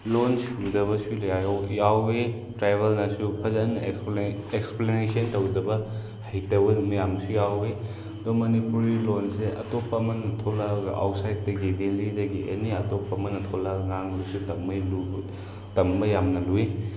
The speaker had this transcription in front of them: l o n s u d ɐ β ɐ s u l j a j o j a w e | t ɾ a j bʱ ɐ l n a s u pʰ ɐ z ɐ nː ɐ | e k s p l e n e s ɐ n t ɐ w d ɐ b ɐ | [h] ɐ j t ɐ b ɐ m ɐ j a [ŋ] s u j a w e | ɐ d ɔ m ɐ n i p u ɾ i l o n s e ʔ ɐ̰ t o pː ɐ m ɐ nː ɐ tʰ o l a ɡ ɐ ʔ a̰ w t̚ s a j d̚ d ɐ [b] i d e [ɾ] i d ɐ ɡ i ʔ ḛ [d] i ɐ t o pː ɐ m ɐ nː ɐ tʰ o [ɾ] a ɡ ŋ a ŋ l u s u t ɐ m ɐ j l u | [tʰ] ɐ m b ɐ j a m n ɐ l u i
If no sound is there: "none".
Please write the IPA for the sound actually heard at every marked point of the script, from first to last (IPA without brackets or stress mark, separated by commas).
h, m, ɡ, l, n, l, t